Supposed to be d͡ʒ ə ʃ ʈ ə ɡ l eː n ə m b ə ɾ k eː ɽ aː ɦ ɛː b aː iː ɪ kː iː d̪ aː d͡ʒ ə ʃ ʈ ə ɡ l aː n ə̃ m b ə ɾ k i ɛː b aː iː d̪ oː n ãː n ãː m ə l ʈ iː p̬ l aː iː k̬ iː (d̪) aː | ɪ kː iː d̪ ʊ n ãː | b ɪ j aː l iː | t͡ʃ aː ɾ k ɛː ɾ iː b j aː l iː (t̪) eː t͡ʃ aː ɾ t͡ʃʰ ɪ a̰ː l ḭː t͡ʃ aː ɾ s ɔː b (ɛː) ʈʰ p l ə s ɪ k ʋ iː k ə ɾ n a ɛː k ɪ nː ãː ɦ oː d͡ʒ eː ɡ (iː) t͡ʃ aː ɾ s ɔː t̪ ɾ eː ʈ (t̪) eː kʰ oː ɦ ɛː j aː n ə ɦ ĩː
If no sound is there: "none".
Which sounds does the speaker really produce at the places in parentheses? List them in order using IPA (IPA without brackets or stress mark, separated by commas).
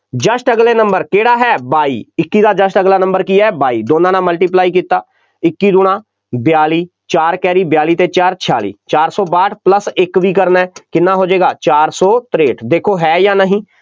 t̪, t̪, aː, aː, d̪